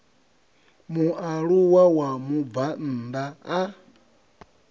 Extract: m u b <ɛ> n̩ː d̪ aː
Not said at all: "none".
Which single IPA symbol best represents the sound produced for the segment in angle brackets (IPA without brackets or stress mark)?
a